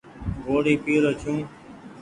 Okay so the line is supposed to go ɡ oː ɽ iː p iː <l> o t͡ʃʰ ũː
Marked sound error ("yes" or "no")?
yes